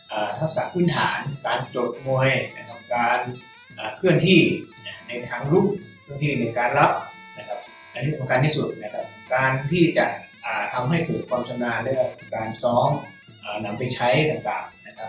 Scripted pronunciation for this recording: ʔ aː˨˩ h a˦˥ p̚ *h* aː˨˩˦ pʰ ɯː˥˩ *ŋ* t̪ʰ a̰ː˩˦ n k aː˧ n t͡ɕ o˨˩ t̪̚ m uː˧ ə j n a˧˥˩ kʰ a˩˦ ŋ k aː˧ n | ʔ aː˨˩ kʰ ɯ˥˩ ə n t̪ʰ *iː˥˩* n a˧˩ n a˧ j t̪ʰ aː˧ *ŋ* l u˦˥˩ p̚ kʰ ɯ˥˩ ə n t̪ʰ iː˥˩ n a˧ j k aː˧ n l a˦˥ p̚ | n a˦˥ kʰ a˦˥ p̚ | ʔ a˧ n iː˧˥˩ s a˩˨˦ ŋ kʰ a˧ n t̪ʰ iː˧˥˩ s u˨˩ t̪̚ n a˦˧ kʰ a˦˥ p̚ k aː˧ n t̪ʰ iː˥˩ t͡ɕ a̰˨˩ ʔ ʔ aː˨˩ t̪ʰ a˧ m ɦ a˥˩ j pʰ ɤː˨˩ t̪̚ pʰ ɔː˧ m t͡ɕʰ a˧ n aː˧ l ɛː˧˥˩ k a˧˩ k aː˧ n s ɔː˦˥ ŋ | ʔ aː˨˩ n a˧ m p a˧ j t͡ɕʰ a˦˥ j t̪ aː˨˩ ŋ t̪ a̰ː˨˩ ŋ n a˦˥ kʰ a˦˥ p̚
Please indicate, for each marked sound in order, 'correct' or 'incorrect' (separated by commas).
incorrect, incorrect, correct, correct